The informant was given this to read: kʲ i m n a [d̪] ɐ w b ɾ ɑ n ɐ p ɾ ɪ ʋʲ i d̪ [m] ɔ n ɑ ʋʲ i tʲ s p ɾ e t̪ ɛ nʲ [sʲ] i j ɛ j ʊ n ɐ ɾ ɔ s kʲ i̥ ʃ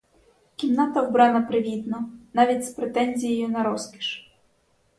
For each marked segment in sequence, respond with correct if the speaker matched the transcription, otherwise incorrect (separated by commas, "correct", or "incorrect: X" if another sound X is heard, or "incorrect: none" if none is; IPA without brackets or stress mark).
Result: incorrect: t̪, incorrect: n, incorrect: zʲ